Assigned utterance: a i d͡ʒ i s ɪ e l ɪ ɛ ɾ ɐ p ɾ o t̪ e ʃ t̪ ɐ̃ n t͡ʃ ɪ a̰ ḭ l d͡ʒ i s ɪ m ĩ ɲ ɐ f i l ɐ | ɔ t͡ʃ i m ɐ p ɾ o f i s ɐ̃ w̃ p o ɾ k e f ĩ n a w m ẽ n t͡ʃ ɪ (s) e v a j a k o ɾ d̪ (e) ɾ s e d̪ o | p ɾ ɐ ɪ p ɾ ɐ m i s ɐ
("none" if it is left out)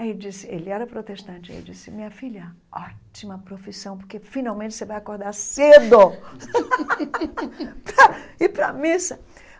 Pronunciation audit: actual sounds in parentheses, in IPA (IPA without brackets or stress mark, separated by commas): s, a